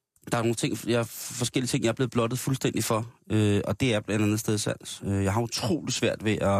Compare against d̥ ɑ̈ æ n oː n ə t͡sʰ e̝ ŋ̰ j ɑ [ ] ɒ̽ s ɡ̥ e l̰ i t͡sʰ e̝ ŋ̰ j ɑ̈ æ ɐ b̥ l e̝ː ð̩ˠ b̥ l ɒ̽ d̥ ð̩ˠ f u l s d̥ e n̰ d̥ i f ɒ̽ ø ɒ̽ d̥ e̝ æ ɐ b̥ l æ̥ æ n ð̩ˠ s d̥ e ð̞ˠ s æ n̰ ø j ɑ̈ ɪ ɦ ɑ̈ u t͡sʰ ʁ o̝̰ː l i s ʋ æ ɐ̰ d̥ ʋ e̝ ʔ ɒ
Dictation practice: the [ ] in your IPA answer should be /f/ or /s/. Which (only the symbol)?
f